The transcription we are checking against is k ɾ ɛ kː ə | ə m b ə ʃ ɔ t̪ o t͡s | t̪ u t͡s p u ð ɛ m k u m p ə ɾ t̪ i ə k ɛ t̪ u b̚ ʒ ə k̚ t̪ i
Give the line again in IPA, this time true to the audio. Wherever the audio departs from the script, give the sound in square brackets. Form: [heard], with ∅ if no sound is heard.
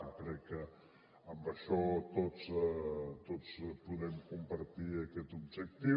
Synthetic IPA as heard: k ɾ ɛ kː ə | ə m b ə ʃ ɔ t̪ o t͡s | t̪ [o] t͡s p u ð ɛ m k u m p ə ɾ t̪ i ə k ɛ t̪ u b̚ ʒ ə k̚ t̪ i